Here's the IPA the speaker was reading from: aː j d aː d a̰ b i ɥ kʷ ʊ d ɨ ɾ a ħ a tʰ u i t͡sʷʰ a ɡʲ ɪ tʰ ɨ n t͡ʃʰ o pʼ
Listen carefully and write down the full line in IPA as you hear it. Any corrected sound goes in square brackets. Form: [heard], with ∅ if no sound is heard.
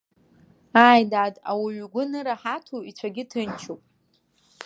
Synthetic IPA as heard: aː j d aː d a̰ [w] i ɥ [ɡʷ] ʊ [n] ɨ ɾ a ħ a tʰ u i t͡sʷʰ a ɡʲ ɪ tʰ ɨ n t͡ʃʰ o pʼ